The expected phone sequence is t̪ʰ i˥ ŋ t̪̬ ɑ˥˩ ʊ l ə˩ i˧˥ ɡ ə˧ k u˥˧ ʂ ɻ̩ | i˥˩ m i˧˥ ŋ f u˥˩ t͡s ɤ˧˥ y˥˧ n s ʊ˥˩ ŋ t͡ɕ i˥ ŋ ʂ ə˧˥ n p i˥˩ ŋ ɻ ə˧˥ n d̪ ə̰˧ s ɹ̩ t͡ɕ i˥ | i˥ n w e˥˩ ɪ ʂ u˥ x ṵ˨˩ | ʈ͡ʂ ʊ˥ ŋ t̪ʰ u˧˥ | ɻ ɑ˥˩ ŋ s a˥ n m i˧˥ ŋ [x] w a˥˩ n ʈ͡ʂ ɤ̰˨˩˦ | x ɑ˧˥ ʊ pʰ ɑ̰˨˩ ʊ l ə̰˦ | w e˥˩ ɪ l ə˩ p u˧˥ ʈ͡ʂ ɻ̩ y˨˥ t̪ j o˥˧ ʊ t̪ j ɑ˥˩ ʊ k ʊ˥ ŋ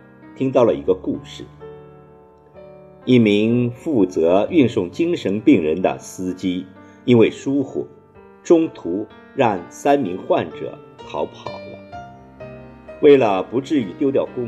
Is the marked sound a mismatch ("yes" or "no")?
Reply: no